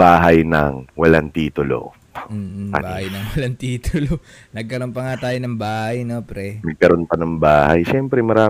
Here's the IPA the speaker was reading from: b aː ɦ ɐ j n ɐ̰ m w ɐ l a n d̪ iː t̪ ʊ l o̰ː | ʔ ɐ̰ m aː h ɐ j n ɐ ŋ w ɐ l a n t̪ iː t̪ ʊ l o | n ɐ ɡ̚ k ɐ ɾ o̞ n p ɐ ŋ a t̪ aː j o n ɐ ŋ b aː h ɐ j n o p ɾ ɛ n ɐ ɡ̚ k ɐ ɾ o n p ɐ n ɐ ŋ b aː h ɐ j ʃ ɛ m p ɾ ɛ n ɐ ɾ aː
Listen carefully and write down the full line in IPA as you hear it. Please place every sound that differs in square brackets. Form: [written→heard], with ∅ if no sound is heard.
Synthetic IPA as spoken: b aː ɦ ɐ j n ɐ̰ [m→ŋ] w ɐ l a n [d̪→t̪] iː t̪ ʊ l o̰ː | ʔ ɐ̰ [m→b] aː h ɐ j n ɐ ŋ w ɐ l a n t̪ iː t̪ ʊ l o | n ɐ ɡ̚ k ɐ ɾ o̞ n p ɐ ŋ a t̪ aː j o n ɐ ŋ b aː h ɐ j n o p ɾ ɛ n ɐ ɡ̚ k ɐ ɾ o n p ɐ n ɐ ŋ b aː h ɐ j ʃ ɛ m p ɾ ɛ [n→m] ɐ ɾ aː